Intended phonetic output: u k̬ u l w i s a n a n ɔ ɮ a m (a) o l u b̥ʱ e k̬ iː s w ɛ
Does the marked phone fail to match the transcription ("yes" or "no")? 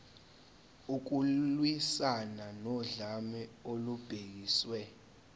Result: yes